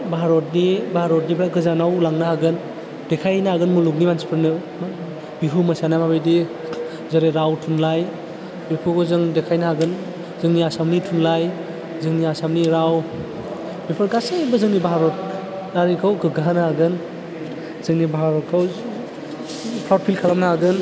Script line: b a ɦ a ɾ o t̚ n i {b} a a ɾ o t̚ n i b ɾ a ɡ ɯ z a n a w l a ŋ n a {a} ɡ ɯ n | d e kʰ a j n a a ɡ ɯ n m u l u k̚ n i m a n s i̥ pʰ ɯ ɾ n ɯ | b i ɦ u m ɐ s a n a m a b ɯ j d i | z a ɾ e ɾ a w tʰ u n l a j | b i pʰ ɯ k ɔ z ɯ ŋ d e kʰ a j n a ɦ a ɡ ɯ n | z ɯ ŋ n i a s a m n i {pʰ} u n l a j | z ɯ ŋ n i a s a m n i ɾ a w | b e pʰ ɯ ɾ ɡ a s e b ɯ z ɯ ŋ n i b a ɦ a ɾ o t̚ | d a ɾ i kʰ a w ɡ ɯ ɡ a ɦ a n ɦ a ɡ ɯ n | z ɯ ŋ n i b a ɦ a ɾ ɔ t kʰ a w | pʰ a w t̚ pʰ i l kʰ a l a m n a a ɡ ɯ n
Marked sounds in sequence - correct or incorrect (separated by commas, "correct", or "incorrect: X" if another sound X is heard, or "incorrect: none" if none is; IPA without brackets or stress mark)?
correct, correct, incorrect: tʰ